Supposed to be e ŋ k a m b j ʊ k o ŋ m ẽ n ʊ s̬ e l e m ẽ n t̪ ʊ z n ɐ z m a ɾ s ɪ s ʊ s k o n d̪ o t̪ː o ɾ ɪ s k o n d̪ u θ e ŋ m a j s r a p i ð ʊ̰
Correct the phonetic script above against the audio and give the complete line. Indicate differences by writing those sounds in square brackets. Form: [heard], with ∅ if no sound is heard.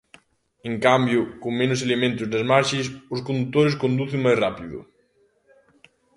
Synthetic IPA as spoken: e ŋ k a m b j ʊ k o ŋ m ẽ n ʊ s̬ e l e m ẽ n t̪ ʊ z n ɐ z m a ɾ [ʃ] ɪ s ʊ s k o n d̪ [u] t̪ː o ɾ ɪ s k o n d̪ u θ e ŋ m a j s r a p i ð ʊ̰

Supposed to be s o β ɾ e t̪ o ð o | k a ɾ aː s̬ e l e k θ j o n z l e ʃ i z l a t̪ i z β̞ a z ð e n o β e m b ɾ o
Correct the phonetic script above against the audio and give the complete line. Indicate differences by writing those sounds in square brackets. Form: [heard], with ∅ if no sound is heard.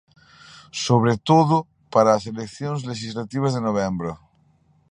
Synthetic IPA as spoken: s o β ɾ e t̪ o ð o | [p] a ɾ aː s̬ e l e k θ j o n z l e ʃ i z l a t̪ i [∅] β̞ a z ð e n o β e m b ɾ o

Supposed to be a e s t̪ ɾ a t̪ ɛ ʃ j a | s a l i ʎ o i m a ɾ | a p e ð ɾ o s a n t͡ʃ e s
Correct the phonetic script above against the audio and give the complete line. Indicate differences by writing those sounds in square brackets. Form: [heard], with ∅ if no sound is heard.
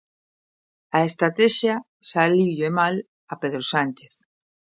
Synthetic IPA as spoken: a e s t̪ ɾ a t̪ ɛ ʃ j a | s a l i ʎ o [e] m a [l] | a p e ð ɾ o s a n t͡ʃ e [θ]

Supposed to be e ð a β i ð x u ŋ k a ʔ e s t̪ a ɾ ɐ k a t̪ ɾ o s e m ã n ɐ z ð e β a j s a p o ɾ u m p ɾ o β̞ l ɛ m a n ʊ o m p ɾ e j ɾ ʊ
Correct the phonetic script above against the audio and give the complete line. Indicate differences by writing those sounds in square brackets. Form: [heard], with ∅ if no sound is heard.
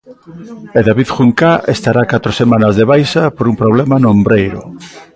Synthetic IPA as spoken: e ð a β i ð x u ŋ k a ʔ e s t̪ a ɾ [a] k a t̪ ɾ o s e m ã n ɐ z ð e β a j s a p o ɾ u m p ɾ o β̞ l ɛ m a n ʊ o m [b] ɾ e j ɾ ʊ

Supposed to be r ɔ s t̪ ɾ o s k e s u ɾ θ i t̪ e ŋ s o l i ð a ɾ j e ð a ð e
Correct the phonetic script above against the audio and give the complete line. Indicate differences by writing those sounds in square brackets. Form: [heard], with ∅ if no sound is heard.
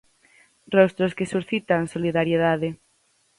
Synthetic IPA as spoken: r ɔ s t̪ ɾ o s k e s u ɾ θ i t̪ [a] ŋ s o l i ð a ɾ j e ð a ð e

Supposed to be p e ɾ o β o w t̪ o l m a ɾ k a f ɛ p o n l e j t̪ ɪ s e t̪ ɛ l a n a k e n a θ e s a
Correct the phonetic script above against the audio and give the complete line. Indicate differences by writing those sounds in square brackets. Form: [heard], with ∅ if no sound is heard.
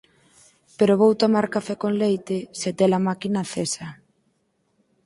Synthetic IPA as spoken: p e ɾ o β o w t̪ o [∅] m a ɾ k a f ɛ [k] o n l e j t̪ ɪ s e t̪ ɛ l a [m] a k [i] n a θ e s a

